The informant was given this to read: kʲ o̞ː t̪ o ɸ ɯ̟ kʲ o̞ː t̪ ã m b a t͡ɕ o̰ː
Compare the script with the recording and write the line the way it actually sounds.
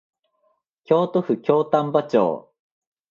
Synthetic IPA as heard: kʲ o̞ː t̪ o ɸ ɯ̟ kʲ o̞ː t̪ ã m b a t͡ɕ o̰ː